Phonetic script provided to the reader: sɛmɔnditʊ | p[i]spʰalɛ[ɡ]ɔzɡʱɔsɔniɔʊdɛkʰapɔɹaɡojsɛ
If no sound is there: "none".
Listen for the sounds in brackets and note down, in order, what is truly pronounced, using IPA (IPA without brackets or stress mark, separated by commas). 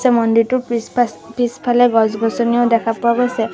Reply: i, ɡ